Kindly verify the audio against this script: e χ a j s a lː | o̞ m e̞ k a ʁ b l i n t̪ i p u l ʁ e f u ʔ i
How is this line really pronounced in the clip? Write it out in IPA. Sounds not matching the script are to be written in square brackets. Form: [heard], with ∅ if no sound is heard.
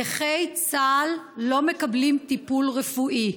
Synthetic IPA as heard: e χ [e] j [t͡s] a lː | o̞ m e̞ k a [∅] b l i [m] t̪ i p u l ʁ e f u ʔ i

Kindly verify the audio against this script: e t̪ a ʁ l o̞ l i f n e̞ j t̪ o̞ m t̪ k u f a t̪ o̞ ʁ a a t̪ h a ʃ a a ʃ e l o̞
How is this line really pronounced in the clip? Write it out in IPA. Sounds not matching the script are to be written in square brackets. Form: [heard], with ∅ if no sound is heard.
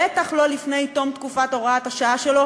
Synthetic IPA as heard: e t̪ a [χ] l o̞ l i f n e̞ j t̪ o̞ m t̪ k u f a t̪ o̞ ʁ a a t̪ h a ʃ a a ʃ e l o̞

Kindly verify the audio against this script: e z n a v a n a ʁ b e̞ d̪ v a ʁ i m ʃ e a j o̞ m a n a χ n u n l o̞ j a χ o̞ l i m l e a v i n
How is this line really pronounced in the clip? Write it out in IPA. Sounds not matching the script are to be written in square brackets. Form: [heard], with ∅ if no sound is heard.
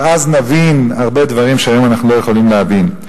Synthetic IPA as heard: [a] z n a v [i] n a ʁ b e̞ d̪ v a ʁ i m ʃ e a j o̞ m a n a χ n u [∅] l o̞ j [e] χ o̞ l i m l e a v i n

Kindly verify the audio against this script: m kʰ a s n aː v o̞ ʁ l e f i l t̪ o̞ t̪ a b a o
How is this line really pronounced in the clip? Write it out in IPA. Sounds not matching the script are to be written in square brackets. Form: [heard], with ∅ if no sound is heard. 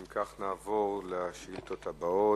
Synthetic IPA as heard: m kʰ a [χ] n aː v o̞ ʁ l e [ʃ] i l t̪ o̞ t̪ a b a o

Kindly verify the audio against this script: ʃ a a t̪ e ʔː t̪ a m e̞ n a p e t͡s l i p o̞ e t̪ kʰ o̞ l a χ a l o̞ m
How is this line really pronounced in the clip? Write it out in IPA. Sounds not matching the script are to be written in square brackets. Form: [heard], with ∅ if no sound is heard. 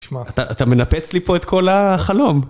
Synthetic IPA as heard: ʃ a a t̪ [a] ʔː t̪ a m e̞ n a p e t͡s l i p o̞ e t̪ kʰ o̞ l a χ a l o̞ m

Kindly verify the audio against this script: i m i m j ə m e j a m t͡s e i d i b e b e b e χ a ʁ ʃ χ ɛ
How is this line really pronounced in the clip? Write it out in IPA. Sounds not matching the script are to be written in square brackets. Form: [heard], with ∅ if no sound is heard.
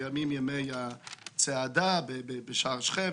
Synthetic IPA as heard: [a] m i m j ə m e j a [∅] t͡s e [a] d [a] b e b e b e [ʃ] a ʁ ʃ χ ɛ

